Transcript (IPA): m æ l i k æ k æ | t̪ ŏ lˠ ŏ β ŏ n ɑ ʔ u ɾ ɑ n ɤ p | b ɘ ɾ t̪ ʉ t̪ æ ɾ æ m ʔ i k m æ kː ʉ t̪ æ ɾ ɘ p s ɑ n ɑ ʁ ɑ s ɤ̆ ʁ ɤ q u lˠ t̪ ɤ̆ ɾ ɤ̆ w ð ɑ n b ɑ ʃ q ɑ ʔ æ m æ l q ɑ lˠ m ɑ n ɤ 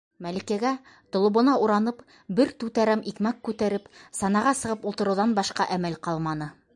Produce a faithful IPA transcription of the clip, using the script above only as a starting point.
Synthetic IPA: m æ l i k æ ɡ æ | t̪ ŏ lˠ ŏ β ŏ n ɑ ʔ u ɾ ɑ n ɤ p | b ɘ ɾ t̪ ʉ t̪ æ ɾ æ m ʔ i k m æ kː ʉ t̪ æ ɾ ɘ p s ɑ n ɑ ʁ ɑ s ɤ̆ ʁ ɤ p u lˠ t̪ ɤ̆ ɾ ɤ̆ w ð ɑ n b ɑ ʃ q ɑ ʔ æ m æ l q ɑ lˠ m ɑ n ɤ